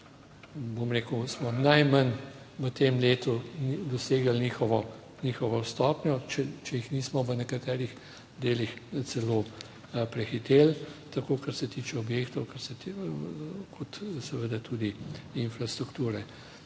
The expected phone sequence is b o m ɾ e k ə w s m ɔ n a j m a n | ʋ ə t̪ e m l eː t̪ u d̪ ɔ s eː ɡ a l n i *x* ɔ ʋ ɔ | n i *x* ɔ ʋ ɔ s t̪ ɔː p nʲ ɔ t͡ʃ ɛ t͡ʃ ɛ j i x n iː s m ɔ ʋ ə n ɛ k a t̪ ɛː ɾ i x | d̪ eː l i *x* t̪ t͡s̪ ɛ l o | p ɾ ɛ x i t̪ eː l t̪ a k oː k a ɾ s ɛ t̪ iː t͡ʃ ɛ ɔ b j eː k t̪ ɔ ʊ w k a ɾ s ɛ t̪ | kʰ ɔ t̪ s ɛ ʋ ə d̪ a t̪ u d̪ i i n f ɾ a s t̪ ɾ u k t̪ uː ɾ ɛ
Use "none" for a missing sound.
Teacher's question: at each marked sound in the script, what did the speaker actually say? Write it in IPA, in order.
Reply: x, x, x

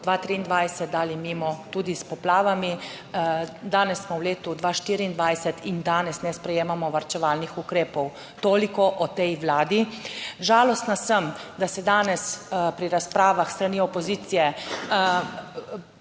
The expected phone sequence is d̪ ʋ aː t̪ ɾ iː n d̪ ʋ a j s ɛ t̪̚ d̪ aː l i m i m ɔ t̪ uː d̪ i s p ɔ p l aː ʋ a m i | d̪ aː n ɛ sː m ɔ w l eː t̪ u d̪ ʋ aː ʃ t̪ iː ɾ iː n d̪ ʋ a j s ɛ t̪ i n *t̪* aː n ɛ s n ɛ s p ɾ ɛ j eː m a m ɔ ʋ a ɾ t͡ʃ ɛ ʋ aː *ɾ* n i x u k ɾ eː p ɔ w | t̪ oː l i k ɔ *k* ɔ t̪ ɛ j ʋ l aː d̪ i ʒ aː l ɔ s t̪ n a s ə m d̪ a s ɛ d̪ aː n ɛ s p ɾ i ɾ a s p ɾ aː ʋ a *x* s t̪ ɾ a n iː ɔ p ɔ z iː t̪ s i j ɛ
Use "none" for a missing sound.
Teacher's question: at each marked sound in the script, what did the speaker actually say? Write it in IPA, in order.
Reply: d̪, l, ʔ, x

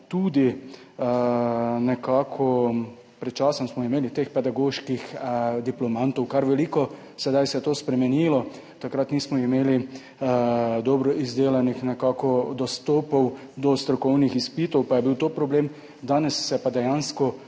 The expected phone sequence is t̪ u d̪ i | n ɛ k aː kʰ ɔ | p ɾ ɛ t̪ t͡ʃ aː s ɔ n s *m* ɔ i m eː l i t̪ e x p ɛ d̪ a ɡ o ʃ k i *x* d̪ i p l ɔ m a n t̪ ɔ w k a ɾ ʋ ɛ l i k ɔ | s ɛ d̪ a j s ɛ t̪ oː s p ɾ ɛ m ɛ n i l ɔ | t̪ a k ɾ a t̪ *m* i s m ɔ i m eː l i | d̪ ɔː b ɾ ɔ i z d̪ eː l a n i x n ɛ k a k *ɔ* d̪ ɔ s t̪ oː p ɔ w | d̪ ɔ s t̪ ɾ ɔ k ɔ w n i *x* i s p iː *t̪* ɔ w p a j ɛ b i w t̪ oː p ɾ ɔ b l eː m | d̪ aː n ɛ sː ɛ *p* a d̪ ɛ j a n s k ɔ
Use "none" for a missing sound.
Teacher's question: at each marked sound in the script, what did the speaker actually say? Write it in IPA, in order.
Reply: m, x, n, ɔ, x, t̪, p

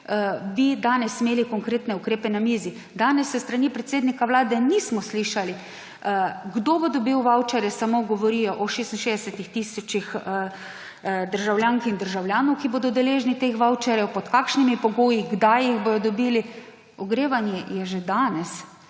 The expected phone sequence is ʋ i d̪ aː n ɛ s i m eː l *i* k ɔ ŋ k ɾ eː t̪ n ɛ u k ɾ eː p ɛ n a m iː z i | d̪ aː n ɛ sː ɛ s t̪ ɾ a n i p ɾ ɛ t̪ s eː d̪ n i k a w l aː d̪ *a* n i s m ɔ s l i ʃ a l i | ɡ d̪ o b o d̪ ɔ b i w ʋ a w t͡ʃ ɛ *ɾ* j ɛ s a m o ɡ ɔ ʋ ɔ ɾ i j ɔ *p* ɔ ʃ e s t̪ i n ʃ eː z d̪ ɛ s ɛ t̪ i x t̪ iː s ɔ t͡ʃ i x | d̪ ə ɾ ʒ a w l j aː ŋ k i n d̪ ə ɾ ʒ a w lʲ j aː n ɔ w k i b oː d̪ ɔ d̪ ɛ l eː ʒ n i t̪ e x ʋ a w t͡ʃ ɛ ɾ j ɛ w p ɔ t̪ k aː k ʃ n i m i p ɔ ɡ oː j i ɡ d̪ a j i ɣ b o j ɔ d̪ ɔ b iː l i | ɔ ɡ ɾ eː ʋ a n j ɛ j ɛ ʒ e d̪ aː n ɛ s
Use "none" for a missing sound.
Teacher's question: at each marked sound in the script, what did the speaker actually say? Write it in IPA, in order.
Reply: i, ɛ, ɾ, ʔ

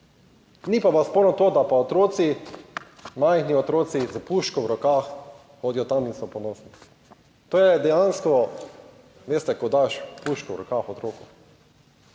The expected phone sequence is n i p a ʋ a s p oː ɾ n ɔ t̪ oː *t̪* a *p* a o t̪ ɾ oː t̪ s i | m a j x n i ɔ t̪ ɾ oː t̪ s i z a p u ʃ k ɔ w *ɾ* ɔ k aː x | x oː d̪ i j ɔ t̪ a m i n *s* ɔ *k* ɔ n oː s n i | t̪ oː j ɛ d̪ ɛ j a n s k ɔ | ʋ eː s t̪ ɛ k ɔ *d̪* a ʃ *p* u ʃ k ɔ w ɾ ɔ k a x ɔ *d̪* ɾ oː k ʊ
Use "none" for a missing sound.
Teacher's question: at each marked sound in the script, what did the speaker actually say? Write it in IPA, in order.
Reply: d̪, p, ɾ, s, p, d̪, p, t̪

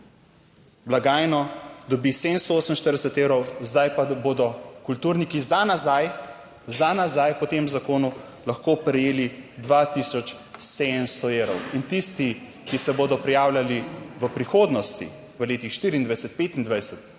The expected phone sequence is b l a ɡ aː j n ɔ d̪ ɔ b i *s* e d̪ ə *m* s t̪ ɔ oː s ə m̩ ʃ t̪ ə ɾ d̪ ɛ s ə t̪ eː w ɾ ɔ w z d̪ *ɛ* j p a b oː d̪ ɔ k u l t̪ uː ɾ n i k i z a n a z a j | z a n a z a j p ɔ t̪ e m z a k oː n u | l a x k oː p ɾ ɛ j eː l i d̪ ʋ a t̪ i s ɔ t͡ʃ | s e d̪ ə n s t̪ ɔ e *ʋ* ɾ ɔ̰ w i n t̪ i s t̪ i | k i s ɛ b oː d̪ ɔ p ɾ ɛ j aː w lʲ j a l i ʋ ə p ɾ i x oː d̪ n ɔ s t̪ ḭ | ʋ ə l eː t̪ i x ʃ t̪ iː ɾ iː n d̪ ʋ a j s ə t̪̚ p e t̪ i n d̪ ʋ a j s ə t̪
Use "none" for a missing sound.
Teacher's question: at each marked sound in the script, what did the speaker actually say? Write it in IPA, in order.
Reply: s, n, a, w

